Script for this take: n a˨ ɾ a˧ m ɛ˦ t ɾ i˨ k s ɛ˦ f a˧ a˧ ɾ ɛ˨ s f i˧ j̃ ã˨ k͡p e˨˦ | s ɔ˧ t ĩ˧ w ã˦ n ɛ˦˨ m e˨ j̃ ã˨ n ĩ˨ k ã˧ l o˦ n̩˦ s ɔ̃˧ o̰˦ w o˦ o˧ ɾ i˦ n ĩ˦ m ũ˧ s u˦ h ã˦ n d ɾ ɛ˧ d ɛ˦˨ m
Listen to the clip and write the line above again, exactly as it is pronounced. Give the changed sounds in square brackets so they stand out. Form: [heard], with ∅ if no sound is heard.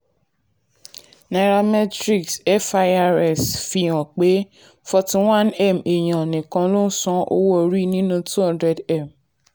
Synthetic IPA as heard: n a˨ ɾ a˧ m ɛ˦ t ɾ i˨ k s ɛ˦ f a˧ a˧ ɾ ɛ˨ s f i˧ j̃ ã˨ k͡p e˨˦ | [f] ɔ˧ t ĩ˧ w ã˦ n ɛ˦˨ m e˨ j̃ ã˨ n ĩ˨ k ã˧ l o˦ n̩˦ s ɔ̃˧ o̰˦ w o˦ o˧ ɾ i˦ n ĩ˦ [n] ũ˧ [t] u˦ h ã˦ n d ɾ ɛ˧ d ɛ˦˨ m